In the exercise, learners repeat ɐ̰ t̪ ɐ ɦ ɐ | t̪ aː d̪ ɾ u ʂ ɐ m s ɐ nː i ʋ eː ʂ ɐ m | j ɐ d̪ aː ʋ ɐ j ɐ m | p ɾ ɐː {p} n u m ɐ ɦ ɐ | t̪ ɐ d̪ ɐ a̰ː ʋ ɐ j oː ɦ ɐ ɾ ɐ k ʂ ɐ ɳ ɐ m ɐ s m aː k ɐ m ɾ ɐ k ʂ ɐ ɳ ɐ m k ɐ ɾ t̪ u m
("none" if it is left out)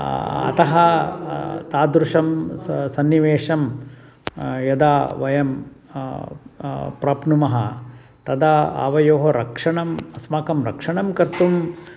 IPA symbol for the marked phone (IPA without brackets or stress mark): p